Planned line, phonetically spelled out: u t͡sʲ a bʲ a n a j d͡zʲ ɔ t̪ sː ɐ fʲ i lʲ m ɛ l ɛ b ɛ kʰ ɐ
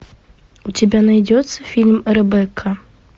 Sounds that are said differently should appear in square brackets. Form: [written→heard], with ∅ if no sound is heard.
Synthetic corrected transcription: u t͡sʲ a bʲ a n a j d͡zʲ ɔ t̪ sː ɐ fʲ i lʲ m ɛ [l→ɾ] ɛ b ɛ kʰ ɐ